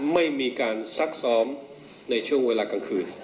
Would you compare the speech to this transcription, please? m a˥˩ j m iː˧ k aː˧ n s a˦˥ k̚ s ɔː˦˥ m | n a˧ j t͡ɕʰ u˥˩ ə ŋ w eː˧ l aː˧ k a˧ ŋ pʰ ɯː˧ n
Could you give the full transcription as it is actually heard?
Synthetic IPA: m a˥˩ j m iː˧ k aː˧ n s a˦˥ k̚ s ɔː˦˥ m | n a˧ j t͡ɕʰ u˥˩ ə ŋ w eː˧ l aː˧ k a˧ ŋ kʰ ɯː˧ n

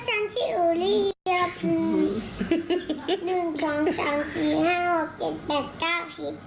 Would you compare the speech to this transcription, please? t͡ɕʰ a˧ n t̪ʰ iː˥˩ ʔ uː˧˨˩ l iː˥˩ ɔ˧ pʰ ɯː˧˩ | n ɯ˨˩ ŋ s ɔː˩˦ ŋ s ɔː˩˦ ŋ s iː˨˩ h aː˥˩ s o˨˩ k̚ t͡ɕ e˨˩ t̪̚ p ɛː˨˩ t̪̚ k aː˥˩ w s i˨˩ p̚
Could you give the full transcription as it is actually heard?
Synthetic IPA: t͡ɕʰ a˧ n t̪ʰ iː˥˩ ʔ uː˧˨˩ l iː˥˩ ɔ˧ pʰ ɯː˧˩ | n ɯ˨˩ ŋ s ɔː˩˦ ŋ s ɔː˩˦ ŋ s iː˨˩ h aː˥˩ h o˨˩ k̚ t͡ɕ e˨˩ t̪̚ p ɛː˨˩ t̪̚ k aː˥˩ w s i˨˩ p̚

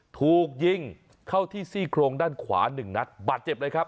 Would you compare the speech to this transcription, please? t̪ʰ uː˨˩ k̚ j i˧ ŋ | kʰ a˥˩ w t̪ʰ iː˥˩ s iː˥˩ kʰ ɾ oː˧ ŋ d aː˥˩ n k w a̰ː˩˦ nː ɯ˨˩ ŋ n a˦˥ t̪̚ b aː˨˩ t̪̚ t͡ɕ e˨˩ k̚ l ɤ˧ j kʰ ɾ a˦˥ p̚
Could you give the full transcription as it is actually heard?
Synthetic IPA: t̪ʰ uː˨˩ k̚ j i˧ ŋ | kʰ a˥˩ w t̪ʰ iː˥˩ s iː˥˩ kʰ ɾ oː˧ ŋ d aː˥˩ n kʰ w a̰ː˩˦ n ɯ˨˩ ŋ n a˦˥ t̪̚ b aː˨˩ t̪̚ t͡ɕ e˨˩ p̚ l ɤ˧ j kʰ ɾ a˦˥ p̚

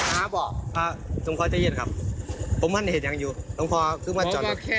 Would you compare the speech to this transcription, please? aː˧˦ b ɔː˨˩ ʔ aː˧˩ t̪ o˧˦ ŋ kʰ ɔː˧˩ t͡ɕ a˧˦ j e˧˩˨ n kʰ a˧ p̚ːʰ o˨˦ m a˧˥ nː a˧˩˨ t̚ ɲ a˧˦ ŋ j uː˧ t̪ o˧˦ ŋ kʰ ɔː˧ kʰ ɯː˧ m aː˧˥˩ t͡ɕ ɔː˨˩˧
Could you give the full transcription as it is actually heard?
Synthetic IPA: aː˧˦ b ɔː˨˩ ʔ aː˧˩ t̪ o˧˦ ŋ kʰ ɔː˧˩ t͡ɕ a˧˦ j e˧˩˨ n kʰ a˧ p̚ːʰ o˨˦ m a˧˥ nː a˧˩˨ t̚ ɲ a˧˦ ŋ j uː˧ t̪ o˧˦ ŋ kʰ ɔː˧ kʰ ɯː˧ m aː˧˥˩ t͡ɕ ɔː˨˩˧

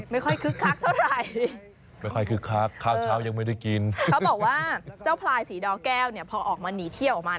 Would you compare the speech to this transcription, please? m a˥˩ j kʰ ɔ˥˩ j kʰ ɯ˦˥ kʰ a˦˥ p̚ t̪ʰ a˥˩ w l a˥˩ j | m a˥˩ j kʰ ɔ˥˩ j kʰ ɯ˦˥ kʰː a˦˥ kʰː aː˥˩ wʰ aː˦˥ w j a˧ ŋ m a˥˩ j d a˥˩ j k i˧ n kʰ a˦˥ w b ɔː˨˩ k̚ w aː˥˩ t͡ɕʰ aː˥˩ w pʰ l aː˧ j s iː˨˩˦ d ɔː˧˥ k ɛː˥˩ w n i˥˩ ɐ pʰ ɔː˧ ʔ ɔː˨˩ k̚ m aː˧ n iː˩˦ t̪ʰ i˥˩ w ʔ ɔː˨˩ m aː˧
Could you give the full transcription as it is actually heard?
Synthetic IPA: m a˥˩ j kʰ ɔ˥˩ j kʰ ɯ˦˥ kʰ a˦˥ k̚ t̪ʰ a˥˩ w ɾ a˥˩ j | m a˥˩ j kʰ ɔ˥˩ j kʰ ɯ˦˥ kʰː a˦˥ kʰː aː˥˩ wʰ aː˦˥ w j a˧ ŋ m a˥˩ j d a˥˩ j k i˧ n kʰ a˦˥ w b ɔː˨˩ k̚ w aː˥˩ t͡ɕ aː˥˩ w pʰ l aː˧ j s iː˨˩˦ d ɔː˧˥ k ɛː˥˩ w n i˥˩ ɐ pʰ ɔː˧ ʔ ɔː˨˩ k̚ m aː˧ n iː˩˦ t̪ʰ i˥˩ w ʔ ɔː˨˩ m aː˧

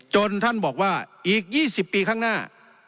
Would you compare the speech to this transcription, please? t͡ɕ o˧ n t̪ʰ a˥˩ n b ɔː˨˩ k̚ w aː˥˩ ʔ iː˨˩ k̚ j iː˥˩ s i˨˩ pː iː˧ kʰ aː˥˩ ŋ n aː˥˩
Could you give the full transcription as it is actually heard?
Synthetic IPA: t͡ɕ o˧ n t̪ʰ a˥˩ n b ɔː˨˩ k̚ w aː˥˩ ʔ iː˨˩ k̚ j iː˥˩ s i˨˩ pː iː˧ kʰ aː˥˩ ŋ n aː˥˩

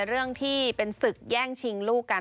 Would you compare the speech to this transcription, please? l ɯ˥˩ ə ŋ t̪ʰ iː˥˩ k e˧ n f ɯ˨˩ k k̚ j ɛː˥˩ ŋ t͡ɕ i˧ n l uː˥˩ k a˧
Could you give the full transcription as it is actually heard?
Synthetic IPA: ɾ ɯ˥˩ ə ŋ t̪ʰ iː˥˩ p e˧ n s ɯ˨˩ k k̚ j ɛː˥˩ ŋ t͡ɕʰ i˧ ŋ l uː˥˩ k a˧

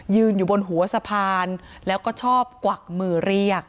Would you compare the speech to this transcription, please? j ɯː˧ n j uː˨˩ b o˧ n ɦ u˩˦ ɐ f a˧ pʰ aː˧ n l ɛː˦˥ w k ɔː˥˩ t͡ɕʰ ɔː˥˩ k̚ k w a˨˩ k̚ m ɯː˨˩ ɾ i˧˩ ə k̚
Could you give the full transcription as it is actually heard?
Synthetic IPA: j ɯː˧ n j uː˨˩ b o˧ n ɦ u˩˦ ɐ s a˧ pʰ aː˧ n l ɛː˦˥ w k ɔː˥˩ t͡ɕʰ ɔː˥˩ p̚ k w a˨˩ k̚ m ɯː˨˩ ɾ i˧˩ ə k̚

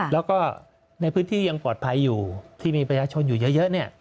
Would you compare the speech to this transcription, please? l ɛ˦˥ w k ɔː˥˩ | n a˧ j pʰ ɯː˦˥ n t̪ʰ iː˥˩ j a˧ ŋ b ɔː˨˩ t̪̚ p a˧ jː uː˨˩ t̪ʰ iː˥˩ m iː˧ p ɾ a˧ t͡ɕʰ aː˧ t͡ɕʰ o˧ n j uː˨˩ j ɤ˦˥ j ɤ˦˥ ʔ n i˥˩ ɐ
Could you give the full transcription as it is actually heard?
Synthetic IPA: l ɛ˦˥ w k ɔː˥˩ | n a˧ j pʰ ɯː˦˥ n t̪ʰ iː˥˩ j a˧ ŋ p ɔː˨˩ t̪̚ pʰ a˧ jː uː˨˩ t̪ʰ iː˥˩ m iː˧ p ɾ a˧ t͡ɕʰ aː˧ t͡ɕʰ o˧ n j uː˨˩ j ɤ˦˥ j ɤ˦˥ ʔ n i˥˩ ɐ

